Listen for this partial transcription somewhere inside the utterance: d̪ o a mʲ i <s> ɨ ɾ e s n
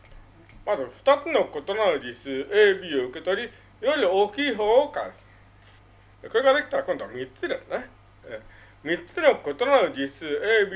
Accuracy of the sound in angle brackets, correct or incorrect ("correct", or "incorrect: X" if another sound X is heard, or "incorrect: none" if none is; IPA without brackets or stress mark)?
incorrect: t͡s